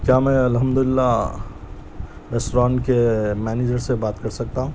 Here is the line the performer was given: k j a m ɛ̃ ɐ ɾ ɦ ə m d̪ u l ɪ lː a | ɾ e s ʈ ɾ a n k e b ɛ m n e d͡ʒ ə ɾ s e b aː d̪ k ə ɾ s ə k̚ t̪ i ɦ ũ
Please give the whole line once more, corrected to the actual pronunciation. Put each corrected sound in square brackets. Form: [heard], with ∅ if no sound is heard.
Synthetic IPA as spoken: k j a m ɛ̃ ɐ [l] ɦ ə m d̪ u l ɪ lː a | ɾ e s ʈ ɾ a n k e [m] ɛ [∅] n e d͡ʒ ə ɾ s e b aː [t̪] k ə ɾ s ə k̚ t̪ [a] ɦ ũ